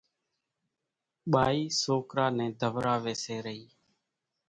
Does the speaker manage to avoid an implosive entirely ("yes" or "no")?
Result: no